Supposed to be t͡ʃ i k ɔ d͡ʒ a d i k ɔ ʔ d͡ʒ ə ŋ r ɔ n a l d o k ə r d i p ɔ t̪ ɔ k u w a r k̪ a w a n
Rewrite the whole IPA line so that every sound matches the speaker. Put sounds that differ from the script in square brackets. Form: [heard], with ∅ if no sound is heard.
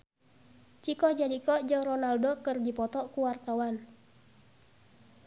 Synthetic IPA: t͡ʃ i k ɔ d͡ʒ a d i k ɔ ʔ d͡ʒ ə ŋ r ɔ n a l d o k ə r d i p ɔ t̪ ɔ k u w a r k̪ a w a n